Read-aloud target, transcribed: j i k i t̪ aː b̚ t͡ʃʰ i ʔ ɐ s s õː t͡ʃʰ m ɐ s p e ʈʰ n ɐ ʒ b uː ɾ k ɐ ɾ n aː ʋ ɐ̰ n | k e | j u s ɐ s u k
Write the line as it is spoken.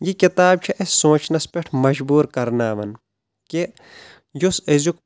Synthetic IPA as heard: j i k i t̪ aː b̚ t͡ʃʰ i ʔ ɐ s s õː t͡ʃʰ n ɐ s p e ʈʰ m ɐ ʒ b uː ɾ k ɐ ɾ n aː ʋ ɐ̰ n | k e | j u s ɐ z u k